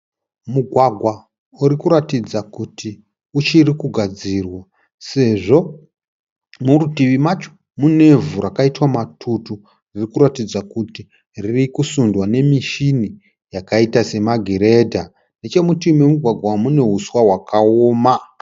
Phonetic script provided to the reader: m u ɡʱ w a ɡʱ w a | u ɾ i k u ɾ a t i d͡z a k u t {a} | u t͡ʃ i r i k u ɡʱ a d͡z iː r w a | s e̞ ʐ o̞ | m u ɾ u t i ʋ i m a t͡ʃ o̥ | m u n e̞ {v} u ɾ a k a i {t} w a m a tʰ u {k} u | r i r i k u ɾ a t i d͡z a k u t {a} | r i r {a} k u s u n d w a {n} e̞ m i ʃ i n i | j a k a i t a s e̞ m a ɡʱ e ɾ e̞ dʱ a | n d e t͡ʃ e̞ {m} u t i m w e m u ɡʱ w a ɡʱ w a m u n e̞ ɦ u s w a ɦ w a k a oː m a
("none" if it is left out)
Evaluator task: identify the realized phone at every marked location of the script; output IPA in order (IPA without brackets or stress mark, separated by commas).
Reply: i, v, t, t, i, i, n, m